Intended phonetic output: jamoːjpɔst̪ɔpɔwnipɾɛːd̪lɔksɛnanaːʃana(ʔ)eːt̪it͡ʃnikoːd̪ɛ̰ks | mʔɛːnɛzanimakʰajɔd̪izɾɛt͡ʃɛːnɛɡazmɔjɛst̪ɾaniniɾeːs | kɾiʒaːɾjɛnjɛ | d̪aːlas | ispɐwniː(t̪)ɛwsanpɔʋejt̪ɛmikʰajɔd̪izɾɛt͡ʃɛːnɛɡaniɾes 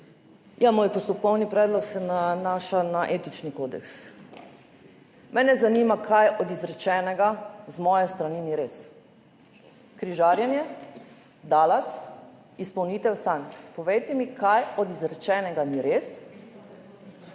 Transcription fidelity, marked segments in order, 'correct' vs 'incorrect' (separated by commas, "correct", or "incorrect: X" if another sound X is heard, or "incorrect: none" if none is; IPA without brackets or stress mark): correct, correct